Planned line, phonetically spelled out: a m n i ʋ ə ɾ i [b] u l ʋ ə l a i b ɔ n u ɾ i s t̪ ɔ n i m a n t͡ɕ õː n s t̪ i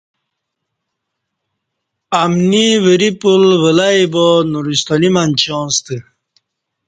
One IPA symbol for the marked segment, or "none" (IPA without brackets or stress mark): p